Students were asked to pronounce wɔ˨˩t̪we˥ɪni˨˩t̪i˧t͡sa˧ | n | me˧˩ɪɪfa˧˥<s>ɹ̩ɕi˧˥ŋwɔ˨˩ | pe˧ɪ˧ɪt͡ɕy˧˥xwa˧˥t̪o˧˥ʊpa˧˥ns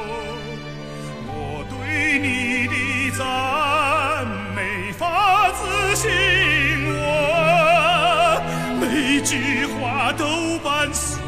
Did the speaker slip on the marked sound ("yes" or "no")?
yes